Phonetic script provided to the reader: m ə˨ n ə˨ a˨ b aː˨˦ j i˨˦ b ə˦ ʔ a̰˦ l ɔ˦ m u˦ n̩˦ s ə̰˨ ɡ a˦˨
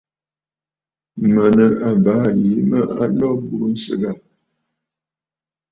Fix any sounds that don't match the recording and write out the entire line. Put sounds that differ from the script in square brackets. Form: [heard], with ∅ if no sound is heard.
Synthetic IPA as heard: m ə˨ n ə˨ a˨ b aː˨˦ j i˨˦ [m] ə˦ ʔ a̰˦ l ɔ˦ [b] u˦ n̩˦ s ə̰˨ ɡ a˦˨